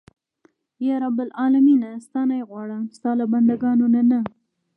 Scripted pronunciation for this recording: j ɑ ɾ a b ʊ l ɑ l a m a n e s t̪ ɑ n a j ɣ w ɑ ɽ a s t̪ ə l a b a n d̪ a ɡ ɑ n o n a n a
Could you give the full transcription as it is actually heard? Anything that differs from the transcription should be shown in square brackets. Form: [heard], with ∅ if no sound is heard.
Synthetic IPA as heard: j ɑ ɾ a b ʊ l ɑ l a m [i] n [a] s t̪ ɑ n a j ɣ w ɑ ɽ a s t̪ [ɑ] l a b a n d̪ a ɡ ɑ n o n a n a